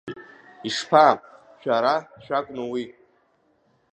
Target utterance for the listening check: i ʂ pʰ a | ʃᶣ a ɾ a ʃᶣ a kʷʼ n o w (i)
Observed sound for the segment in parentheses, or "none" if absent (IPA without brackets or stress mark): i